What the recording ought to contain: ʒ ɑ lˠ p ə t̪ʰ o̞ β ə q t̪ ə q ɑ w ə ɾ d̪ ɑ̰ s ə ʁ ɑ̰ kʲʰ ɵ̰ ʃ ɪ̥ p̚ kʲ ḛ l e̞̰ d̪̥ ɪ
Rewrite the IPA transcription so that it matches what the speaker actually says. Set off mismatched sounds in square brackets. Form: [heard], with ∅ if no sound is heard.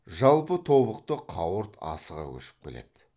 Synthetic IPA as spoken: ʒ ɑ lˠ p ə t̪ʰ o̞ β ə q t̪ ə [qʰ] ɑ w ə ɾ [t̪] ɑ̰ s ə ʁ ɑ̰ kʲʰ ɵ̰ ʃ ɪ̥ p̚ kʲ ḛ l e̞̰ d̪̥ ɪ

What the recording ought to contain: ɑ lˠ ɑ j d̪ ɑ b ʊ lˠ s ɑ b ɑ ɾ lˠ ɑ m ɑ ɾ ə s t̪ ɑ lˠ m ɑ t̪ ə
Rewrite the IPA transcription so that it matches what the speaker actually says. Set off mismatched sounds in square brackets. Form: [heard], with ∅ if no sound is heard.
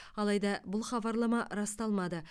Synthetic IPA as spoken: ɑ lˠ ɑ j d̪ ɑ b ʊ lˠ [χ] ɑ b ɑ ɾ lˠ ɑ m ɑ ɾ [ɑ] s t̪ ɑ lˠ m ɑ [d̪] ə

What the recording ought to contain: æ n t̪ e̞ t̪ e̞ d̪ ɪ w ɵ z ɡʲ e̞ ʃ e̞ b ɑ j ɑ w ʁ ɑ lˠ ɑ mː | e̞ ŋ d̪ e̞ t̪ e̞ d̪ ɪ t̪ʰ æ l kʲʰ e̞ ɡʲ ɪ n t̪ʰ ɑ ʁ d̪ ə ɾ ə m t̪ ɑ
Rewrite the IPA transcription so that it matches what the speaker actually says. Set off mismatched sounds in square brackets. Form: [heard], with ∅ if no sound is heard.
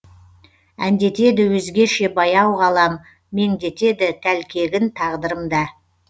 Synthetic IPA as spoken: æ n [d̪] e̞ t̪ e̞ d̪ ɪ w ɵ z ɡʲ e̞ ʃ e̞ b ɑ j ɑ w ʁ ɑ lˠ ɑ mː | e̞ ŋ d̪ e̞ t̪ e̞ d̪ ɪ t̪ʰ æ l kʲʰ e̞ ɡʲ ɪ n t̪ʰ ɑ ʁ d̪ ə ɾ ə m [d̪] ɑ

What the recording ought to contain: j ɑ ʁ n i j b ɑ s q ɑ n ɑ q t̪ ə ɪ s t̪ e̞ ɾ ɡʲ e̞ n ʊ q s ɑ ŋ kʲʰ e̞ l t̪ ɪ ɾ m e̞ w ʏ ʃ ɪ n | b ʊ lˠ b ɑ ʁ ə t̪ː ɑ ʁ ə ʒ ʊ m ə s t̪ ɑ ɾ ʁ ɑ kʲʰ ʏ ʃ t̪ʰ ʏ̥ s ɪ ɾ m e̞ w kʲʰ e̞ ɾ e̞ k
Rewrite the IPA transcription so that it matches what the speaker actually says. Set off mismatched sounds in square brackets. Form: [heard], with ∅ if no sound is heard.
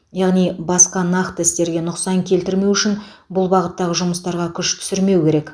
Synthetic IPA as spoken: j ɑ ʁ n i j b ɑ s q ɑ n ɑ q t̪ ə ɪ s t̪ e̞ ɾ ɡʲ e̞ n ʊ q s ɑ ŋ kʲʰ e̞ l t̪ ɪ ɾ m e̞ w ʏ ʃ ɪ n | b ʊ lˠ b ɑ ʁ ə t̪ː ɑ ʁ ə ʒ ʊ m ə s t̪ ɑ ɾ ʁ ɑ kʲʰ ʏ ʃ t̪ʰ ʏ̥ s ɪ ɾ m e̞ w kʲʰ e̞ ɾ e̞ k

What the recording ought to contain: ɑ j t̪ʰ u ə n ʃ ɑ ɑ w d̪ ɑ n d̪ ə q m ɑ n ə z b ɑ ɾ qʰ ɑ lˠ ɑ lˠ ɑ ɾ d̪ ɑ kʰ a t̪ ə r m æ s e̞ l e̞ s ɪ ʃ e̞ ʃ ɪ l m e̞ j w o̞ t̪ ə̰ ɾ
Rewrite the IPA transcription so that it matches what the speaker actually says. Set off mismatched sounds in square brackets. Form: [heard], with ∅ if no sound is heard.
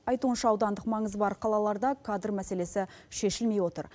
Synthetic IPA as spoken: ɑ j [t̪] u ə n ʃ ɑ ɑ w d̪ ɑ n d̪ ə q m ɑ [ɴ] ə z b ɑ ɾ qʰ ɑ lˠ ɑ lˠ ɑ ɾ d̪ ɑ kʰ a [d̪] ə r m æ s e̞ l e̞ s ɪ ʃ e̞ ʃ ɪ l m e̞ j w o̞ t̪ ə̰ ɾ

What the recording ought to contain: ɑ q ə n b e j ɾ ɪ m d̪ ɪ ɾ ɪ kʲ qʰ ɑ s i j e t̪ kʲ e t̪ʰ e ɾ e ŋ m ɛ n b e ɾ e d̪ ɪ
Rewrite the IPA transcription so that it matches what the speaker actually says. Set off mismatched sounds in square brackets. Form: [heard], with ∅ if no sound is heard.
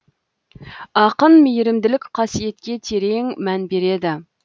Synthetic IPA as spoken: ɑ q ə n [m] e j ɾ ɪ m d̪ ɪ [l] ɪ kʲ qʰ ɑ s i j e t̪ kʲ e t̪ʰ e ɾ e ŋ m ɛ n b e ɾ e d̪ ɪ

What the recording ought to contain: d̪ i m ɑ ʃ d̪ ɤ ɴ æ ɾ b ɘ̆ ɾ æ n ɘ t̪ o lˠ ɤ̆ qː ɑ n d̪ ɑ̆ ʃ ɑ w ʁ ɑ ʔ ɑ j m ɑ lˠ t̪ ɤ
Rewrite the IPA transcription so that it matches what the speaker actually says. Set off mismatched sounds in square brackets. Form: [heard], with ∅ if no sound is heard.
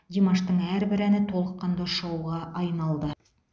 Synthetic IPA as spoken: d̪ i m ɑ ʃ [t̪] ɤ ɴ æ ɾ b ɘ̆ ɾ æ n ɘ t̪ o lˠ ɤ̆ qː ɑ n d̪ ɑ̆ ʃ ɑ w ʁ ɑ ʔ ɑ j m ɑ lˠ [d̪] ɤ

